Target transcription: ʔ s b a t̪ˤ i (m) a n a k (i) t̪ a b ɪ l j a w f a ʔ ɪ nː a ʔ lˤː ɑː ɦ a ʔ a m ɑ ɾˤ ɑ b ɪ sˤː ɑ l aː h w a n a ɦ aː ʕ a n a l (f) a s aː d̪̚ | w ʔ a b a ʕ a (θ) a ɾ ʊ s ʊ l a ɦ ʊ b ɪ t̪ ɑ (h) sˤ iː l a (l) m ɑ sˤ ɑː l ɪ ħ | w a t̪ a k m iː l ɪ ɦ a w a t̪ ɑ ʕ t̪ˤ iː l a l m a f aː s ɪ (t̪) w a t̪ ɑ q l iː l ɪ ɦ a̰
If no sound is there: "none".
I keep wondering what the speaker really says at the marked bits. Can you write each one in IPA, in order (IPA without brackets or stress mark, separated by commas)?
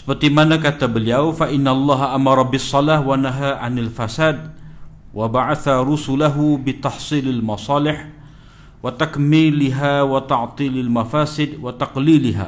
m, a, f, θ, ħ, l, d̪